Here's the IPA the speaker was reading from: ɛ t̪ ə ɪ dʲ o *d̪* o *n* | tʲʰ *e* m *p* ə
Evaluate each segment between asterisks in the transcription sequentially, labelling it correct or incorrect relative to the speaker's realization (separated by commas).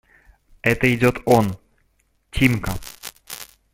incorrect, correct, incorrect, incorrect